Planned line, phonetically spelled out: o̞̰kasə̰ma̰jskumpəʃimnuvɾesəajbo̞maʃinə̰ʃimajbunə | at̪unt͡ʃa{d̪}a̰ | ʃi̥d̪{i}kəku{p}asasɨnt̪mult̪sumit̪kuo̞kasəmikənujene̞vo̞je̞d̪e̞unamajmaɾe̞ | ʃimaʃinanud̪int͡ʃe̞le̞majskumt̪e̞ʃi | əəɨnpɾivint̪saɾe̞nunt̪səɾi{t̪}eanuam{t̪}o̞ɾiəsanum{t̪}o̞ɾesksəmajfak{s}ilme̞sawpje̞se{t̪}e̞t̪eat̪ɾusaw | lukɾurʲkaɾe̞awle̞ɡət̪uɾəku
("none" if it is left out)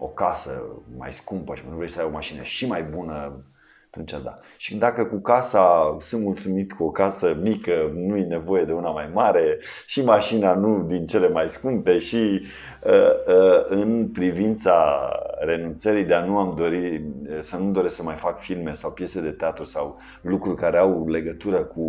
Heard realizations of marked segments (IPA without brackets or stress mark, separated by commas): d̪, a, k, d̪, d̪, d̪, f, d̪